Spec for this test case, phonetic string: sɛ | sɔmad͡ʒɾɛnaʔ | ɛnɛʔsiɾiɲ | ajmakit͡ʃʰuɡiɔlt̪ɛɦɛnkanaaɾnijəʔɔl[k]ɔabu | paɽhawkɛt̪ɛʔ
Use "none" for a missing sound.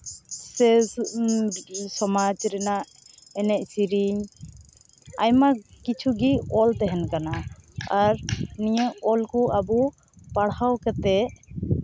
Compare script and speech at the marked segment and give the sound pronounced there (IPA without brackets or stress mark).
k